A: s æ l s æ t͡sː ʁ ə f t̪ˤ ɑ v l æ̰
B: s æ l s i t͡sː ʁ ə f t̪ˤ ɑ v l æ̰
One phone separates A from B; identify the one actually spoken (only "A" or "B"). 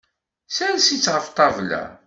B